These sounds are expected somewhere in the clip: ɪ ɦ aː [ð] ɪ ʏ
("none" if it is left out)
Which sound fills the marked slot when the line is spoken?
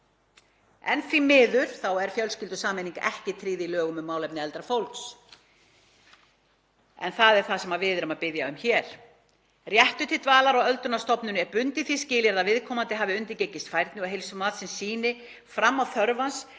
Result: v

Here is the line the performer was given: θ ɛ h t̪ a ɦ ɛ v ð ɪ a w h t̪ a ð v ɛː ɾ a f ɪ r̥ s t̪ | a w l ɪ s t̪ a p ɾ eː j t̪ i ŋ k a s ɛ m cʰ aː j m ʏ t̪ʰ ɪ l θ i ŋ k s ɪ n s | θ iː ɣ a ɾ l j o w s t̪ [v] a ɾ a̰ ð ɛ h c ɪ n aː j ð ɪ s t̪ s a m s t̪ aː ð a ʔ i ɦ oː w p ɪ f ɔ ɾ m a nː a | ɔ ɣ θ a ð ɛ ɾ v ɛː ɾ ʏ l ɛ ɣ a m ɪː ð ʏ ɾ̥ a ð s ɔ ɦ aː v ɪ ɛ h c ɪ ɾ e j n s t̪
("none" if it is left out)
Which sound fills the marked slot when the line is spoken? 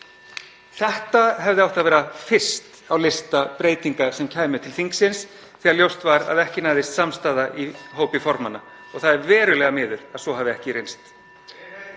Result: v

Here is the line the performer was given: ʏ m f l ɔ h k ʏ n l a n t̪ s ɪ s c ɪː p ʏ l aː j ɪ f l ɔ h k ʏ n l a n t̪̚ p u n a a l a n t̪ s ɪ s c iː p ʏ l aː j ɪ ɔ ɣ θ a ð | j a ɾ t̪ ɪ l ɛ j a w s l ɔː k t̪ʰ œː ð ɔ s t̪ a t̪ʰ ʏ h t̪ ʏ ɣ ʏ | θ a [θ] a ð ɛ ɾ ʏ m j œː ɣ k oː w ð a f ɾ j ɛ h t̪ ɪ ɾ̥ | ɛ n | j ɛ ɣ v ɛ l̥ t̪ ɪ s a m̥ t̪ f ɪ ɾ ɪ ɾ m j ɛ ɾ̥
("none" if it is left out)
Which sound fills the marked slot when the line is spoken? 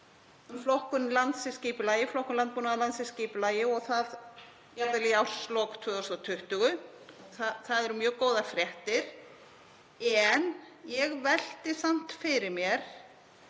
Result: θ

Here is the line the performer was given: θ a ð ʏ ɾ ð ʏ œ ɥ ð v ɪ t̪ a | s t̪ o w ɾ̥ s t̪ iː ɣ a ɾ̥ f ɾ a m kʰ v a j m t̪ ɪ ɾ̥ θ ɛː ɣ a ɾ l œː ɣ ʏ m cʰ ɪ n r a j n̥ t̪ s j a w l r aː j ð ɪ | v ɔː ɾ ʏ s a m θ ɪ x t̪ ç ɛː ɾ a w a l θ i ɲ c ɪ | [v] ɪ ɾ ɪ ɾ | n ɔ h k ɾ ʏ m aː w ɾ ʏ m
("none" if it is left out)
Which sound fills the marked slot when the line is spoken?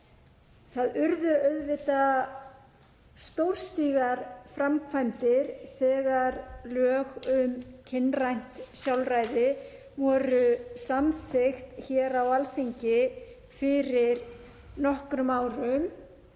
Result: f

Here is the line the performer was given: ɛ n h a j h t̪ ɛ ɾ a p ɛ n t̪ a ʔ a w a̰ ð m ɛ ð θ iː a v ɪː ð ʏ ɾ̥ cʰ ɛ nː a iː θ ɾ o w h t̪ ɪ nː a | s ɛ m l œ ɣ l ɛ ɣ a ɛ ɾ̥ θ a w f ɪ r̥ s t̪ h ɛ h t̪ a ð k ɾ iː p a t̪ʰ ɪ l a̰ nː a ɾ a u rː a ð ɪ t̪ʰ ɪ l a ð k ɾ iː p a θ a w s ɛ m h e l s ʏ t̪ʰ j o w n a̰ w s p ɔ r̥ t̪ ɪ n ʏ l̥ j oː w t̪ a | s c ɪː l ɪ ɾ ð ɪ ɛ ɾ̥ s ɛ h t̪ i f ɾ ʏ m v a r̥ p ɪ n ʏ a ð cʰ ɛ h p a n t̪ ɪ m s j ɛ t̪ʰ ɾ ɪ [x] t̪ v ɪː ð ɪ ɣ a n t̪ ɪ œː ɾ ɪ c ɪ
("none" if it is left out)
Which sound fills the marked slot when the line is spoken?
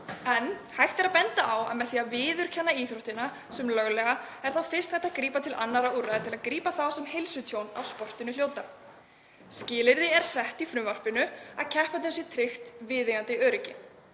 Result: x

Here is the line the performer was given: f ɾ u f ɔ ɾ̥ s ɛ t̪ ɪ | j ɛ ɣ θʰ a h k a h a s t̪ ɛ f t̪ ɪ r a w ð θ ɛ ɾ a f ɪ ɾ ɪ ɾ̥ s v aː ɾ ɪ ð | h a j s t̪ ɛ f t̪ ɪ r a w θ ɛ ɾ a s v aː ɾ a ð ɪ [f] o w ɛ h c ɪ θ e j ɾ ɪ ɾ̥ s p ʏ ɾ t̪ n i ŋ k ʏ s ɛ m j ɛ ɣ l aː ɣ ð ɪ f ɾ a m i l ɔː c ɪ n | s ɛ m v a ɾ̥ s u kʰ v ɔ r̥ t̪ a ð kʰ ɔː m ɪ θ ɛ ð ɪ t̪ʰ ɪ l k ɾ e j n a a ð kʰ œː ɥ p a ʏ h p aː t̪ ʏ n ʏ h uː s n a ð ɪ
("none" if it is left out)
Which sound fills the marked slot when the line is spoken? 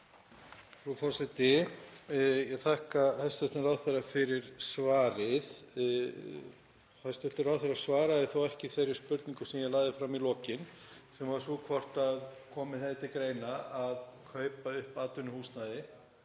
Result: θ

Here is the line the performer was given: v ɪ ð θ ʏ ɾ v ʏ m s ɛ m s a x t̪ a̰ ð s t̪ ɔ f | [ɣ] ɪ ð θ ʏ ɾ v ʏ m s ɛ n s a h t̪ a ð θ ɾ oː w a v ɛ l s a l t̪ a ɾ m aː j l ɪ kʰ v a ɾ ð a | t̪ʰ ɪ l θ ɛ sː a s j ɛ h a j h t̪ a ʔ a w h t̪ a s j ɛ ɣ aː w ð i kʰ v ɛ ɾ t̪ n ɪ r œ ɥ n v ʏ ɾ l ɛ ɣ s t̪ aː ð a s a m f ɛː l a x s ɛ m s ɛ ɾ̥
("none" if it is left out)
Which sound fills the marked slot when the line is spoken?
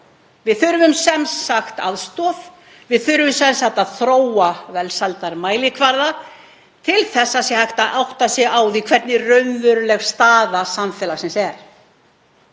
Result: v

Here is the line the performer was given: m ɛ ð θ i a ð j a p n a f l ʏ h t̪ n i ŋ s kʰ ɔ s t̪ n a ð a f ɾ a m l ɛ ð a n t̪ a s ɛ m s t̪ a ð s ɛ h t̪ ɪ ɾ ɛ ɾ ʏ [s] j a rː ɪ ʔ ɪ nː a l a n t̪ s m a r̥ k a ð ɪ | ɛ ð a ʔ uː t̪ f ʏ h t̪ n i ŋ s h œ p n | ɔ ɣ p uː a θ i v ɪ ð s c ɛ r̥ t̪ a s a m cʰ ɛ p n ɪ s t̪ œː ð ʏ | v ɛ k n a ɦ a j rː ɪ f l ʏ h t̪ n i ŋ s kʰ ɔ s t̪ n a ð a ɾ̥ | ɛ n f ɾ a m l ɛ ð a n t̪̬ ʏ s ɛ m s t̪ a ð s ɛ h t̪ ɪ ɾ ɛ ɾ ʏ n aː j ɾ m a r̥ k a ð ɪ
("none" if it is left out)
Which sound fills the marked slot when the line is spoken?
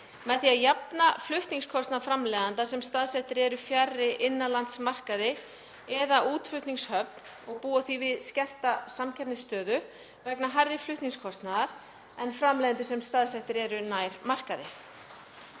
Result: f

